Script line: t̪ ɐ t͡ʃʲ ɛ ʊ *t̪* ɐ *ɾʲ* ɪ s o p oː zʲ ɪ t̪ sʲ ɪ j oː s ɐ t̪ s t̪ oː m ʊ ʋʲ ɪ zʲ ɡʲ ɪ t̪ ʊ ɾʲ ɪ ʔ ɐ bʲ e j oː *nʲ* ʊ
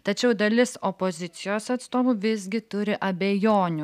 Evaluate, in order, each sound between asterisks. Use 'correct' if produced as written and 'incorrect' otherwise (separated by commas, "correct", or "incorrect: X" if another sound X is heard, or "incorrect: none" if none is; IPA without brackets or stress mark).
incorrect: d̪, incorrect: lʲ, correct